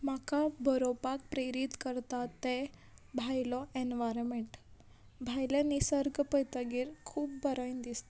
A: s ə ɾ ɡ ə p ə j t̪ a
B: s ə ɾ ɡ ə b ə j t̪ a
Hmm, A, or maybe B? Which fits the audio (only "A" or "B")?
A